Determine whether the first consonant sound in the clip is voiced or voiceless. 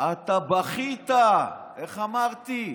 voiceless